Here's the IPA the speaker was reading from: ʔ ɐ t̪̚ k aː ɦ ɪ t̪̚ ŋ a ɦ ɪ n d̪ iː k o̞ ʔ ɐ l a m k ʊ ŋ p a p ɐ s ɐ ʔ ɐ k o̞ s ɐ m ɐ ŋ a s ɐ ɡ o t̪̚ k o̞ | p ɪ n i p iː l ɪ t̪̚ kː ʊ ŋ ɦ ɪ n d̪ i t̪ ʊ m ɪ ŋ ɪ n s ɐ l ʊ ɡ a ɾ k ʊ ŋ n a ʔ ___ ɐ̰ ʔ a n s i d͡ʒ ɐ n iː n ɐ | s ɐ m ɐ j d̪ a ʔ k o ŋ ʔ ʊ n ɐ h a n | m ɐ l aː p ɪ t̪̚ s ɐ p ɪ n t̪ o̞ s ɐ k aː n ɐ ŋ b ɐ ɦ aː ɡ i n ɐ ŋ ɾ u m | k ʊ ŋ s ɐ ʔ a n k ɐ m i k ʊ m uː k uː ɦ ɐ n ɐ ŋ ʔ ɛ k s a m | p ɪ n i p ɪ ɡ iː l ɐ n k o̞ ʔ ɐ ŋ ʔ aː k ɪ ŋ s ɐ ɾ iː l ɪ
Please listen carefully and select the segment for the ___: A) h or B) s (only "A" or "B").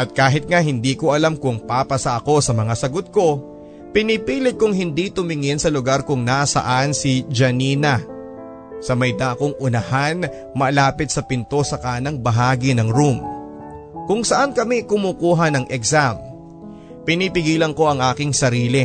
B